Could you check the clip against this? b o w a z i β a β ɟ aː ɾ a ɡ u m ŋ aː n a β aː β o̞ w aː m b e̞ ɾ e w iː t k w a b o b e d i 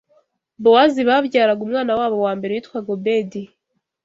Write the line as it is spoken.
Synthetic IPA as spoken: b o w a z i β a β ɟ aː ɾ a ɡ u m ŋ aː n a w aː β o̞ w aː m b e̞ ɾ e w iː t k w a ɡ o b e d i